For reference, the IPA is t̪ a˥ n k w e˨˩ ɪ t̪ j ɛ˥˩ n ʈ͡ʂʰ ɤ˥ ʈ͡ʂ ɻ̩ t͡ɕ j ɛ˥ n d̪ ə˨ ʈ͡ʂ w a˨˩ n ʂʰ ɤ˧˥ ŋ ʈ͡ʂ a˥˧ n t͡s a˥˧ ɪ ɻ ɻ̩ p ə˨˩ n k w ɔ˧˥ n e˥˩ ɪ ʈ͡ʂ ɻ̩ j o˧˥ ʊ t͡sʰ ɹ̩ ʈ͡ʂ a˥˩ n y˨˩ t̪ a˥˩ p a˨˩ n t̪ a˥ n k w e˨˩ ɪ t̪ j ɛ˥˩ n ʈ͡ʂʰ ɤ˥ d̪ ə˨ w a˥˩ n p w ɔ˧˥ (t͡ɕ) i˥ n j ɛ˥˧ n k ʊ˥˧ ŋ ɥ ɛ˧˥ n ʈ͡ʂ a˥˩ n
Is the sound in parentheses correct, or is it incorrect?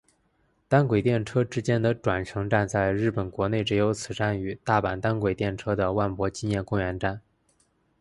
correct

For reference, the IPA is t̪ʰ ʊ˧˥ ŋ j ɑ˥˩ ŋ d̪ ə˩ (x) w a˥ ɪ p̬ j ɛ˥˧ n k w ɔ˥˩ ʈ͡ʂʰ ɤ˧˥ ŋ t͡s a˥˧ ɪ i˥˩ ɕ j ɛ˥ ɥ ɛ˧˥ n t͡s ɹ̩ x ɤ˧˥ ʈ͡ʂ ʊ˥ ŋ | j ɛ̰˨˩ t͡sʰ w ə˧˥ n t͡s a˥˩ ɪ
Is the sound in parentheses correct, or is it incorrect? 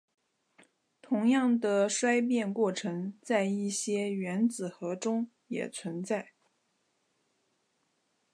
incorrect: ʂ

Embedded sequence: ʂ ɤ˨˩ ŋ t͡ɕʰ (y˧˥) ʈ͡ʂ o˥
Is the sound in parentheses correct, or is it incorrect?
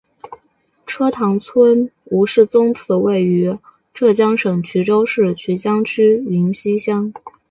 correct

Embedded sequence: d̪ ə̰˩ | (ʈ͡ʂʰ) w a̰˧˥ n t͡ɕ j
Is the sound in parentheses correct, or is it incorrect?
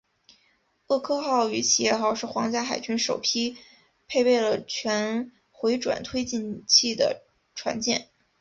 correct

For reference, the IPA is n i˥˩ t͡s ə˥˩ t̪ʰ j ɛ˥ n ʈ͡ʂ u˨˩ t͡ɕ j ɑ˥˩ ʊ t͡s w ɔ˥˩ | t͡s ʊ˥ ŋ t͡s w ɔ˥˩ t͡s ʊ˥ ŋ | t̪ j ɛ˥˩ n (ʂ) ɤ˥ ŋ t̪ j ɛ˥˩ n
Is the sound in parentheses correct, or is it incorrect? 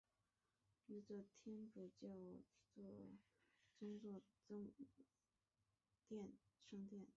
correct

